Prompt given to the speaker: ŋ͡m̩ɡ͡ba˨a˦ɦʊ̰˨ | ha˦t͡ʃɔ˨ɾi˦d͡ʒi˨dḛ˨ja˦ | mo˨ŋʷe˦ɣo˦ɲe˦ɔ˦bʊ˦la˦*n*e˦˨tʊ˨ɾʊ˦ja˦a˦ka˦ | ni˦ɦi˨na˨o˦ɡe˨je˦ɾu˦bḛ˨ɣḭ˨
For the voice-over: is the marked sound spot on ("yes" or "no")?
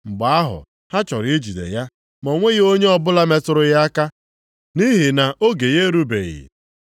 no